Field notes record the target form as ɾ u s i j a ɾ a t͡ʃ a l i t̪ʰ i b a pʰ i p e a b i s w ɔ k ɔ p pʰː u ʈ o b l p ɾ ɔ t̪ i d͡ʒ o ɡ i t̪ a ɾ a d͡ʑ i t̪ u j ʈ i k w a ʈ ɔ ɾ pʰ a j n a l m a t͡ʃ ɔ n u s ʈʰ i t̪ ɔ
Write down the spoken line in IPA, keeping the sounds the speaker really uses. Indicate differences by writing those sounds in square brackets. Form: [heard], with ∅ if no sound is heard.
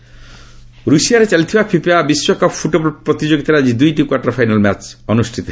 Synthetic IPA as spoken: ɾ u s i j a ɾ [e] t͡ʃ a l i t̪ʰ i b a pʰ i p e a b i s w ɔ k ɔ p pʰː u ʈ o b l p ɾ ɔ t̪ i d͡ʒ o ɡ i t̪ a ɾ a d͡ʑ i [d̪] u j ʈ i k w a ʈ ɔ ɾ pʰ a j n a l m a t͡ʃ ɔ n u s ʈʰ i t̪ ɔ